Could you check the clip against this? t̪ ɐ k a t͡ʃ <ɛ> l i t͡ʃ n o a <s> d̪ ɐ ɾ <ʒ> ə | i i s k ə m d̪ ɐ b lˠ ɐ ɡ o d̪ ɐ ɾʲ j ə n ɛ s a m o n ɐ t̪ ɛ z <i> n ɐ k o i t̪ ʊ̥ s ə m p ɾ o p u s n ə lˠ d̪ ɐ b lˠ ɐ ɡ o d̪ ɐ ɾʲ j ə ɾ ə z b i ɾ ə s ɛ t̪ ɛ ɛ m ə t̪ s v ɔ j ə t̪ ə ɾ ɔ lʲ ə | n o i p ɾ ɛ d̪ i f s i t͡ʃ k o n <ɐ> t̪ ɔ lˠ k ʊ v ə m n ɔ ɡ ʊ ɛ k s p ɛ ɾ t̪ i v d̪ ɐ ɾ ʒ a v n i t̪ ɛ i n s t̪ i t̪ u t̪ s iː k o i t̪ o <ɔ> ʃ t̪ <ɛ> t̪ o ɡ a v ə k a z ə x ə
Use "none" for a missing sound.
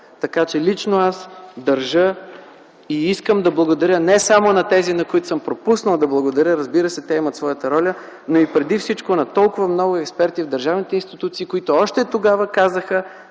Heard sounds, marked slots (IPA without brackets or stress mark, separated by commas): ɛ, s, ʒ, i, ɐ, ɔ, ɛ